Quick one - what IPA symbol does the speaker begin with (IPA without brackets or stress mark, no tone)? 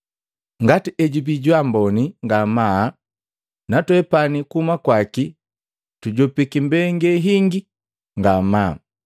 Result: ŋ